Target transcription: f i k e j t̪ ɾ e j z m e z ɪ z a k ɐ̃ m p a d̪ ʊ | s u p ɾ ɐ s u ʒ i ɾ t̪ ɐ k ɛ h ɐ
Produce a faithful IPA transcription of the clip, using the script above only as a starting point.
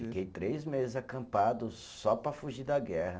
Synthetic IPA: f i k e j t̪ ɾ e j z m e z ɪ z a k ɐ̃ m p a d̪ ʊ | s ɔ p ɾ ɐ f u ʒ i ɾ d̪ ɐ ɡ ɛ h ɐ